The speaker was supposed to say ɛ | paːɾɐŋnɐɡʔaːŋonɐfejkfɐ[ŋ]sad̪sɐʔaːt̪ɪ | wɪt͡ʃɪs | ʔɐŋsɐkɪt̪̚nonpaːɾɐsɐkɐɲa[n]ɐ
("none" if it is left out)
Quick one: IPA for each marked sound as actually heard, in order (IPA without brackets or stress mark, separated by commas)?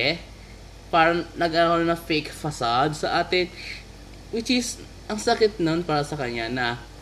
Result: none, n